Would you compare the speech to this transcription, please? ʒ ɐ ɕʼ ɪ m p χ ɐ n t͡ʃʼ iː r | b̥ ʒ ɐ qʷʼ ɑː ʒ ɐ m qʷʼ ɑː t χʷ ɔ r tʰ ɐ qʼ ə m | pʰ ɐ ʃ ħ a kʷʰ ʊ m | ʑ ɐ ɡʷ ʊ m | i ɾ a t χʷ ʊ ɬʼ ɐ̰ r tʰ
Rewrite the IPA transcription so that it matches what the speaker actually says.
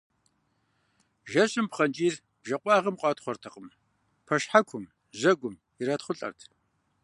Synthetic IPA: ʒ ɐ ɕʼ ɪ m p χ ɐ n t͡ʃʼ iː r | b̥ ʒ ɐ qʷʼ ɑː ʁ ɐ m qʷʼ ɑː t χʷ ɔ r tʰ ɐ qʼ ə m | pʰ ɐ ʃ ħ a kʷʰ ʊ m | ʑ ɐ ɡʷ ʊ m | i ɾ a t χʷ ʊ ɬʼ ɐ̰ r tʰ